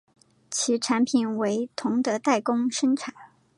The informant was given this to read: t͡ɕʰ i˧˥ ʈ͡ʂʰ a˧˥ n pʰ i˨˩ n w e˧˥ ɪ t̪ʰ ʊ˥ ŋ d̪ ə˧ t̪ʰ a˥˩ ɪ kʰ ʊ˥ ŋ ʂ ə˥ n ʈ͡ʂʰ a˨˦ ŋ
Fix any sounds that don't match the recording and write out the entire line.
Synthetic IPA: t͡ɕʰ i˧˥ ʈ͡ʂʰ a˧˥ n pʰ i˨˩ n w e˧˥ ɪ t̪ʰ ʊ˧˥ ŋ d̪ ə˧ t̪ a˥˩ ɪ k ʊ˥ ŋ ʂ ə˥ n ʈ͡ʂʰ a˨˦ n